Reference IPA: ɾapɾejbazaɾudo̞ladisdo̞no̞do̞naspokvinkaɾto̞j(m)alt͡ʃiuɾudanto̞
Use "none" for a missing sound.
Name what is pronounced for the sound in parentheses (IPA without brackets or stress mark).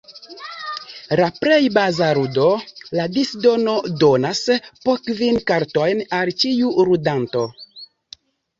n